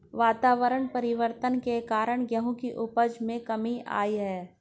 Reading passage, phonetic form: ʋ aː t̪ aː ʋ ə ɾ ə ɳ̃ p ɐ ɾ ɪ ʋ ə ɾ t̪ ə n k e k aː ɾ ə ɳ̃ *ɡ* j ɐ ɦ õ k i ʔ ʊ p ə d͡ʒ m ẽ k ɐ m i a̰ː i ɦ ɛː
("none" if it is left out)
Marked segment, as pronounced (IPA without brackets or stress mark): ɡ